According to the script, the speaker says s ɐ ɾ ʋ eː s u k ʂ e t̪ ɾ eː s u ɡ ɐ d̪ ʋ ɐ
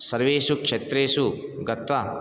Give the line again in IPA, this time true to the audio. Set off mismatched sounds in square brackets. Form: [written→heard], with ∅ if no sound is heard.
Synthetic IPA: s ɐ ɾ ʋ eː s u k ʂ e t̪ ɾ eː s u ɡ ɐ [d̪→t̪] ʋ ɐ

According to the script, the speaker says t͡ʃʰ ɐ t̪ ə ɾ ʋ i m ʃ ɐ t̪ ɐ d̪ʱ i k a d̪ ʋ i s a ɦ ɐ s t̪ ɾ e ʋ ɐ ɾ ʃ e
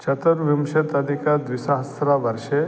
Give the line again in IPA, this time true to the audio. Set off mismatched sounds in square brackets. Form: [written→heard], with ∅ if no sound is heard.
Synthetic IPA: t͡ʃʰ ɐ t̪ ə ɾ ʋ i m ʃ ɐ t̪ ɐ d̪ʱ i k a d̪ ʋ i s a ɦ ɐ s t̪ ɾ [e→a] ʋ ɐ ɾ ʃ e

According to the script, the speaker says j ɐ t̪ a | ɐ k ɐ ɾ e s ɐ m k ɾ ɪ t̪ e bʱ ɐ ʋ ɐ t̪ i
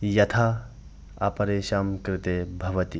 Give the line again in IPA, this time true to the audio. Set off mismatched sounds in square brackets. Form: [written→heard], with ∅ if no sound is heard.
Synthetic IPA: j ɐ [t̪→t̪ʰ] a | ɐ [k→p] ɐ ɾ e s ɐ m k ɾ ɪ t̪ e bʱ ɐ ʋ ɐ t̪ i

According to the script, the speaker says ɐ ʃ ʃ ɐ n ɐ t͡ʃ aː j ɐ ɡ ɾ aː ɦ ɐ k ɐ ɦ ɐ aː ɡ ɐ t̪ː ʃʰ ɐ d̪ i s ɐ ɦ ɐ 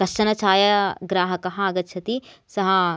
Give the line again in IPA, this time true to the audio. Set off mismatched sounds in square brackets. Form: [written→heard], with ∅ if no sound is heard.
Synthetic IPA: ɐ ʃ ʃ ɐ n ɐ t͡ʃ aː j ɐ ɡ ɾ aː ɦ ɐ k ɐ ɦ ɐ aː ɡ ɐ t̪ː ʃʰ ɐ [d̪→t̪] i s ɐ ɦ ɐ

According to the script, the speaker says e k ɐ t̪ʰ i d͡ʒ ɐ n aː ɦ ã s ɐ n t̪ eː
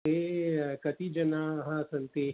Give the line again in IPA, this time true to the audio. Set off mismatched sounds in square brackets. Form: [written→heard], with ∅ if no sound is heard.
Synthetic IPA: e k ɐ [t̪ʰ→t̪] i d͡ʒ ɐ n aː ɦ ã s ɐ n t̪ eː

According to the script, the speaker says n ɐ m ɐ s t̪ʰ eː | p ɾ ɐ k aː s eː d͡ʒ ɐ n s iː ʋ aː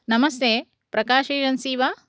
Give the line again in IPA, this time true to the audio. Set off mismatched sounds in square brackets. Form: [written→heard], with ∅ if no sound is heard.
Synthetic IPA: n ɐ m ɐ s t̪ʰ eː | p ɾ ɐ k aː [s→ʃ] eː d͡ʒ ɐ n s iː ʋ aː

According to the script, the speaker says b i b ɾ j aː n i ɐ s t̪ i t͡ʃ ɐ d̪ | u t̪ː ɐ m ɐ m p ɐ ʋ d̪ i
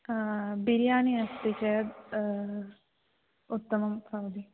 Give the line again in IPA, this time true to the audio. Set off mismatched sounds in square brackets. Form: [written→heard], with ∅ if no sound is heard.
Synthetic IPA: b i [b→∅] ɾ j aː n i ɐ s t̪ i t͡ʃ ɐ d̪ | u t̪ː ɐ m ɐ m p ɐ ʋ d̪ i

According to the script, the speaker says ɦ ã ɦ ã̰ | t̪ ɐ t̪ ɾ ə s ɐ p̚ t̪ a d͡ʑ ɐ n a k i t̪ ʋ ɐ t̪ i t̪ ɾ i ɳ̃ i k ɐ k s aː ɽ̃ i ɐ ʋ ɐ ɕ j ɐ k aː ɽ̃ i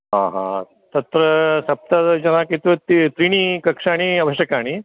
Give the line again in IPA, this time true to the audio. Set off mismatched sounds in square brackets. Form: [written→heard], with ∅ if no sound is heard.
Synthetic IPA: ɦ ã ɦ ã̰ | t̪ ɐ t̪ ɾ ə s ɐ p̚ t̪ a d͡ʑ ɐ n a k i t̪ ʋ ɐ t̪ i t̪ ɾ i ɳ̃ i k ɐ k [s→ʂ] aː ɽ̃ i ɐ ʋ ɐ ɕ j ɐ k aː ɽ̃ i

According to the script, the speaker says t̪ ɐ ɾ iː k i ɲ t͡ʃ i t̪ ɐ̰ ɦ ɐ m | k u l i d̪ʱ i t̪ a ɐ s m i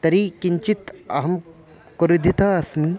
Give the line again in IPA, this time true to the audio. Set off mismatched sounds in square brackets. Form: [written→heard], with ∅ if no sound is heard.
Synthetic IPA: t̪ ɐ ɾ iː k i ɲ t͡ʃ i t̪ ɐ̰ ɦ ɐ m | k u [l→ɾ] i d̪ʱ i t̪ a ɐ s m i

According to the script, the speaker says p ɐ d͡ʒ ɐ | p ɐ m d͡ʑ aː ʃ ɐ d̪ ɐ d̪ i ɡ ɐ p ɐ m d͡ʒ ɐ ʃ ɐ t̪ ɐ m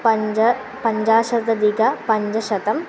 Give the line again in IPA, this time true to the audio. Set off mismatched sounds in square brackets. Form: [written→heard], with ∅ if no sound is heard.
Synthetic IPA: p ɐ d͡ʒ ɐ | p ɐ [m→ɲ] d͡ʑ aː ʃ ɐ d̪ ɐ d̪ i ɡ ɐ p ɐ [m→ɲ] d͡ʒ ɐ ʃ ɐ t̪ ɐ m

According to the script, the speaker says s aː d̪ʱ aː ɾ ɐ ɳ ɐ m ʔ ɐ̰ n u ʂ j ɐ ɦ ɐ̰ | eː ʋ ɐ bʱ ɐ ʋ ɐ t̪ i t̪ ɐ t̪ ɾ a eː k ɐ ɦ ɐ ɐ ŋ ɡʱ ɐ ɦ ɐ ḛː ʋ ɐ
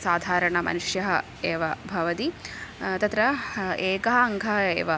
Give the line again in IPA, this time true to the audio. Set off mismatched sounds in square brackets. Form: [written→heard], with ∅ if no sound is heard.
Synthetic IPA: s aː d̪ʱ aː ɾ ɐ ɳ ɐ m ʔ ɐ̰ n u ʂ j ɐ ɦ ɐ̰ | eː ʋ ɐ bʱ ɐ ʋ ɐ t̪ i t̪ ɐ t̪ ɾ [a→ɐ] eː k ɐ ɦ ɐ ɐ ŋ ɡʱ ɐ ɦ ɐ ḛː ʋ ɐ

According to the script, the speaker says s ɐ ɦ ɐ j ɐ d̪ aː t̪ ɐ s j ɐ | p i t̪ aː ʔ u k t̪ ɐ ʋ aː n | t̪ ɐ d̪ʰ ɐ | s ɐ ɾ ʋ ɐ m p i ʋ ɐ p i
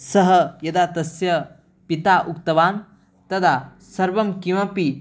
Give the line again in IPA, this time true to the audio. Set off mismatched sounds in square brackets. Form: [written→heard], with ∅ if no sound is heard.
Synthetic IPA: s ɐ ɦ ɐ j ɐ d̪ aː t̪ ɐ s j ɐ | p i t̪ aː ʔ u k t̪ ɐ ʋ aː n | t̪ ɐ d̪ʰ [ɐ→a] | s ɐ ɾ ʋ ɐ m [p→k] i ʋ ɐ p i

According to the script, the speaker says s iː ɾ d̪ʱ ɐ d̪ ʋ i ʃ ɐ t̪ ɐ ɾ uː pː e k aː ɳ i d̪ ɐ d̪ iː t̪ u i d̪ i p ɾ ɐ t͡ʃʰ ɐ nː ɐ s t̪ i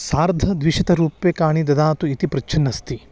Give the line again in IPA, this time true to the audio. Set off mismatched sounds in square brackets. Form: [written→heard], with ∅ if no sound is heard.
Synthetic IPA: s [iː→aː] ɾ d̪ʱ ɐ d̪ ʋ i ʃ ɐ t̪ ɐ ɾ uː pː e k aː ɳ i d̪ ɐ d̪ [iː→aː] t̪ u i [d̪→t̪] i p ɾ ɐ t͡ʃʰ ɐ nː ɐ s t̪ i

